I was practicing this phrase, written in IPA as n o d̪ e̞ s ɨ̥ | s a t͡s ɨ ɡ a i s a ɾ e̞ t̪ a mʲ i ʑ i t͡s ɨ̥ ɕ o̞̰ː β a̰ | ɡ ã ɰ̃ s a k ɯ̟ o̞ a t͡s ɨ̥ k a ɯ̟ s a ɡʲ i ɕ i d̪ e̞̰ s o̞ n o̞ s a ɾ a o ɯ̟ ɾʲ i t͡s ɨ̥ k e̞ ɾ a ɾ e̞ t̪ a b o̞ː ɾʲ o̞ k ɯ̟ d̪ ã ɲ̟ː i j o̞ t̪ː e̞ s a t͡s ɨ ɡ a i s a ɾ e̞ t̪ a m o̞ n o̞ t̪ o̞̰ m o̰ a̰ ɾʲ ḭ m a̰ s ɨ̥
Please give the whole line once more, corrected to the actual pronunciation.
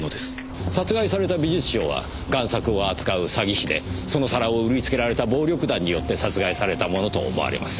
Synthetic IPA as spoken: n o d̪ e̞ s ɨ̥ | s a t͡s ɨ ɡ a i s a ɾ e̞ t̪ a bʲ i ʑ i t͡s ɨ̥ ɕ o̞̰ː β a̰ | ɡ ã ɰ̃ s a k ɯ̟ o̞ a t͡s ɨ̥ k a ɯ̟ s a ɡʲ i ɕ i d̪ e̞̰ s o̞ n o̞ s a ɾ a o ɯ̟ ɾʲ i t͡s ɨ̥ k e̞ ɾ a ɾ e̞ t̪ a b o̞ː ɾʲ o̞ k ɯ̟ d̪ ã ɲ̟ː i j o̞ t̪ː e̞ s a t͡s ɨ ɡ a i s a ɾ e̞ t̪ a m o̞ n o̞ t̪ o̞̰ m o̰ a̰ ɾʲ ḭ m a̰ s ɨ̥